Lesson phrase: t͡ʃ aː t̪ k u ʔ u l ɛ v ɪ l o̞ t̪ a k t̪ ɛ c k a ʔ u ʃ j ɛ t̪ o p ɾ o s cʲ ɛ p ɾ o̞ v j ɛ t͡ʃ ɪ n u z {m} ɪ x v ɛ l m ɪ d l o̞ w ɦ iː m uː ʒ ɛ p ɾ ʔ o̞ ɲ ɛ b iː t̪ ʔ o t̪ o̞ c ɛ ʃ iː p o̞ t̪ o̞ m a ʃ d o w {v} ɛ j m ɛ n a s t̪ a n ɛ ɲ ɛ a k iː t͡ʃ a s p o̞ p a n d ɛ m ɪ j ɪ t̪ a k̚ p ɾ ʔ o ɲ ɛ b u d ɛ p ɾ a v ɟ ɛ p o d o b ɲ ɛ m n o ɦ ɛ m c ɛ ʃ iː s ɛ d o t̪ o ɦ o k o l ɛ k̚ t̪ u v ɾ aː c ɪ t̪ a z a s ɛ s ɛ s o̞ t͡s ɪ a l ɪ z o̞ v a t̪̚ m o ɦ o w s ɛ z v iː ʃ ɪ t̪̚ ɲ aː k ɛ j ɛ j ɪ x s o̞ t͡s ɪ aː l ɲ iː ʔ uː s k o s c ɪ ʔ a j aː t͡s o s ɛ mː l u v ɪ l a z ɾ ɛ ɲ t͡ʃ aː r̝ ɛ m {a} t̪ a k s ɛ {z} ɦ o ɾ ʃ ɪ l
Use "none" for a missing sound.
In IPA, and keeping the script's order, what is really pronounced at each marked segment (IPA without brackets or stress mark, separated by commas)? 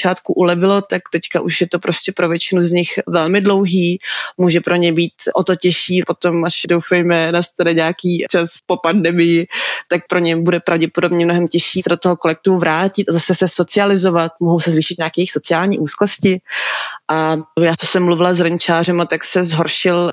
ɲ, f, a, z